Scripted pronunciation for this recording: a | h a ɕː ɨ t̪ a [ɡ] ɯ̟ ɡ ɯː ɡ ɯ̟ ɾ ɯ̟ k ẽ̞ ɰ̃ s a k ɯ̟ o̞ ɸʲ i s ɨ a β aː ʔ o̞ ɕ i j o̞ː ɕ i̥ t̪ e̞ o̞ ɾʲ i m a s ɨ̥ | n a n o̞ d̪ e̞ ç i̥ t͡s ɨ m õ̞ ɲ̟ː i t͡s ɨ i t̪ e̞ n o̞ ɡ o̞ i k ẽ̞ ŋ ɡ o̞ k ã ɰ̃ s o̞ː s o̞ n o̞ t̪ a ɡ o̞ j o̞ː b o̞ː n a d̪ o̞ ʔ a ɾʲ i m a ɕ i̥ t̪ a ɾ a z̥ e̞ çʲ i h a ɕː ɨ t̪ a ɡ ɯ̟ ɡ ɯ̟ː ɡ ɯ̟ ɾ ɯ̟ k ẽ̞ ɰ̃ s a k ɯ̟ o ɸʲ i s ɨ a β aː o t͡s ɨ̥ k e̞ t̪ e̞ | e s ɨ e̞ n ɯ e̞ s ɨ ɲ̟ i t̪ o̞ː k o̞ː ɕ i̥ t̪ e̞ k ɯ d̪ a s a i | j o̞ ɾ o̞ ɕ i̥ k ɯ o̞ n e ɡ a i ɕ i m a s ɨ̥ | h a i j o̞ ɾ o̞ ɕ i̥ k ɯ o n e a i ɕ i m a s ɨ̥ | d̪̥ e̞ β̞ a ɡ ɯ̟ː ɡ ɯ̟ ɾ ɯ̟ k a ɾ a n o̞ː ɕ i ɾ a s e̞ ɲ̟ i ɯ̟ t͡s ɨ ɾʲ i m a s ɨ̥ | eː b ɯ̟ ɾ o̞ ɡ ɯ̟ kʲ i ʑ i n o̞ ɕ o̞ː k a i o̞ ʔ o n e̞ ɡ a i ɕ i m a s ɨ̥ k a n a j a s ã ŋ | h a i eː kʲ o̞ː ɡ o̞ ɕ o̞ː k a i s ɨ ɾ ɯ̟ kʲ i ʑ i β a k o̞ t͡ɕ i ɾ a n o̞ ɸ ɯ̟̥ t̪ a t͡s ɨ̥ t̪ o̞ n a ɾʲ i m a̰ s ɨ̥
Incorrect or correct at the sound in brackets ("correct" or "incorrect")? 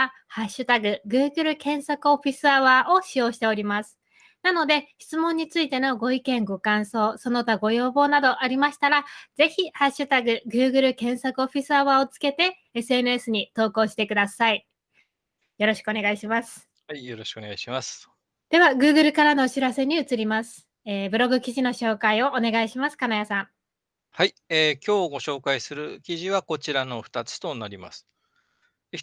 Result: correct